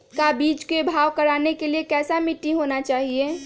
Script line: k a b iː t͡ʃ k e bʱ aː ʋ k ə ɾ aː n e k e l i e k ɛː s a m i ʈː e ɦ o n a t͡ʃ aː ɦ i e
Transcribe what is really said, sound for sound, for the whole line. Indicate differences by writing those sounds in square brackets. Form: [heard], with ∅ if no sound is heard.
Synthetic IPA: k a b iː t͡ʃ k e bʱ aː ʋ k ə ɾ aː n e k e l i e k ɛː s a m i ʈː [i] ɦ o n a t͡ʃ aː ɦ i e